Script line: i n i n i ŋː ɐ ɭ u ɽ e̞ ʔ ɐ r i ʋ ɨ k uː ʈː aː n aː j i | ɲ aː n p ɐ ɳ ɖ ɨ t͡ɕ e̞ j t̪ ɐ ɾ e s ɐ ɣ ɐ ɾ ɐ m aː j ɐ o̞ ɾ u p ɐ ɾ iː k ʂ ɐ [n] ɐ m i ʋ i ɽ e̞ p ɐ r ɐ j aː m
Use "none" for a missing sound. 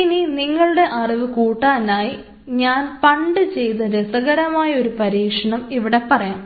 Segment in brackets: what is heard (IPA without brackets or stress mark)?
ɳ